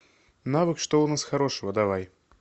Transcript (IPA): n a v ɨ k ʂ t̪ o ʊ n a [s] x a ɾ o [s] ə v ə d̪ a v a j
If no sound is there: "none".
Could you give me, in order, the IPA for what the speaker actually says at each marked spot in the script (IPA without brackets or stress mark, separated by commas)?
s, ʂ